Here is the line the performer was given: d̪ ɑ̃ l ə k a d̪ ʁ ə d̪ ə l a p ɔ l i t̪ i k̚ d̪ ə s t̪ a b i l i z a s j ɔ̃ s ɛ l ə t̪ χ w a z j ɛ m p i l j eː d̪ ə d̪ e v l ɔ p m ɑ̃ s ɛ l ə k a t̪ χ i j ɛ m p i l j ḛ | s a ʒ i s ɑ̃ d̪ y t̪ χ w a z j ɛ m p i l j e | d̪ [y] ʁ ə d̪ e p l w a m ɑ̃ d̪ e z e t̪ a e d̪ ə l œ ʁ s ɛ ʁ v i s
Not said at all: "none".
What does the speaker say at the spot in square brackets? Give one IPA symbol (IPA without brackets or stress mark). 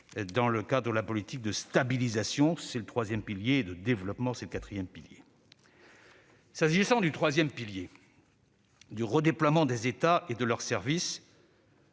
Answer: y